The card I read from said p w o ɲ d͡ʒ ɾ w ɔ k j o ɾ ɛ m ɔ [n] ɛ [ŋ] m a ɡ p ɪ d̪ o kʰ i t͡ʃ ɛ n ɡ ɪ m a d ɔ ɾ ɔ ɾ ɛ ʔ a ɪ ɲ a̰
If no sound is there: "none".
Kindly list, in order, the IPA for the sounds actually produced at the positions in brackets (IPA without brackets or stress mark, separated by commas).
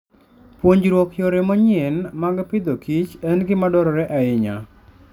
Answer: ɲ, n